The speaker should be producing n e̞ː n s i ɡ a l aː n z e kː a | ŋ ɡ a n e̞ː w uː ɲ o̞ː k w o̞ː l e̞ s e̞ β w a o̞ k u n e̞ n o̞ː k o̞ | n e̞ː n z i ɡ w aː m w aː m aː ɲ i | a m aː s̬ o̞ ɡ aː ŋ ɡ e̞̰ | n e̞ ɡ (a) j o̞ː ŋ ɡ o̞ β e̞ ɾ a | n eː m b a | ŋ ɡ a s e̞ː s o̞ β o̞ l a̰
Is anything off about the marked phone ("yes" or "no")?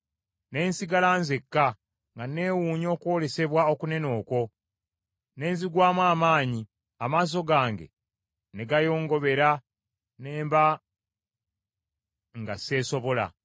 no